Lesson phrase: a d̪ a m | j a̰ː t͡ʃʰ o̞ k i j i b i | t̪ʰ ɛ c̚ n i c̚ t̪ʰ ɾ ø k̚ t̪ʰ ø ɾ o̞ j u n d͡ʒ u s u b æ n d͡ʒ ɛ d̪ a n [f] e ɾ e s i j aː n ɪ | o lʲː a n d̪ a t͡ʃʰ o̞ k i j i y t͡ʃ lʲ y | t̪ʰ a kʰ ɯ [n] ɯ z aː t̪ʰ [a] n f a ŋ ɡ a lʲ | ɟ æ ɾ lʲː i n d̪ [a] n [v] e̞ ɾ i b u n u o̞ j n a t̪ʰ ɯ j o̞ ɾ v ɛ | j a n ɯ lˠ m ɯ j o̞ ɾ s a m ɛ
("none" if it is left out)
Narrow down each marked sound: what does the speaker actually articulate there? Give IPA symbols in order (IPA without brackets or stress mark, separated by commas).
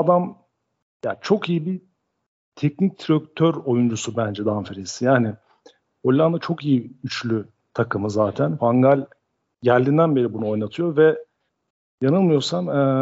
f, m, æ, æ, b